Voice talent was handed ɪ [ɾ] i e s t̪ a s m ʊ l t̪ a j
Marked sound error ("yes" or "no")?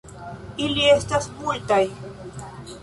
yes